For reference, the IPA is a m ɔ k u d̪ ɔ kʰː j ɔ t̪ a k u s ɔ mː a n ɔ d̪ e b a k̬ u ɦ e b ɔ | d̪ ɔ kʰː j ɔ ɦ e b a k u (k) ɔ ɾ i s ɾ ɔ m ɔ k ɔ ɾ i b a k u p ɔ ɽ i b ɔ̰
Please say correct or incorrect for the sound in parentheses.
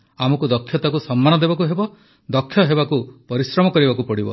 incorrect